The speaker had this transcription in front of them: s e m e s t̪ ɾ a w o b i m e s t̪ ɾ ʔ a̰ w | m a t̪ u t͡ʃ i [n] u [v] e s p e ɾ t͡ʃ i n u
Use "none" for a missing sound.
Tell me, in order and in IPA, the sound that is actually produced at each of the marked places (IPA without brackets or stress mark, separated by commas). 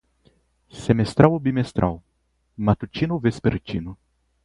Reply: n, v